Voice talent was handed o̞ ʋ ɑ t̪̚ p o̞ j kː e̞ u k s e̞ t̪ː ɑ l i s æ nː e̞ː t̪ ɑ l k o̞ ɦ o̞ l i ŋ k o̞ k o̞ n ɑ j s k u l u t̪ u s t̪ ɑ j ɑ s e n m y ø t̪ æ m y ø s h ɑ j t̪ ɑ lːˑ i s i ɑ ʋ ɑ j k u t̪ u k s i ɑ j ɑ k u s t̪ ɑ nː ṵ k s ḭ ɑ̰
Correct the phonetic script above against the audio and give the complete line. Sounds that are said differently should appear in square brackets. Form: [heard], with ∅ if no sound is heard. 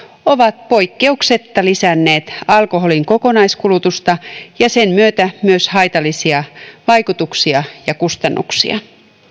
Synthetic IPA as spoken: o̞ ʋ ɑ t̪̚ p o̞ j kː e̞ u k s e̞ t̪ː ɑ l i s æ nː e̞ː t̪ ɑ l k o̞ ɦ o̞ l i ŋ k o̞ k o̞ n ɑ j s k u l u t̪ u s t̪ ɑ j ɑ s e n m y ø t̪ æ m y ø s h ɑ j t̪ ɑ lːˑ i s i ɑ ʋ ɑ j k u t̪ u k s i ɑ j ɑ k u s t̪ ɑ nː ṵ k s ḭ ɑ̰